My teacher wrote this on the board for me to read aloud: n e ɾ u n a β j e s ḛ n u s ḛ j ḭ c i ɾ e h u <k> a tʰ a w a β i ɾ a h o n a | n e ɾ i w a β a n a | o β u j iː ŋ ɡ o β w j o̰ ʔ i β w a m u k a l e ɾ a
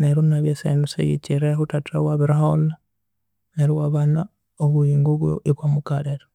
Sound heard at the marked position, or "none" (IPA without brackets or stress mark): t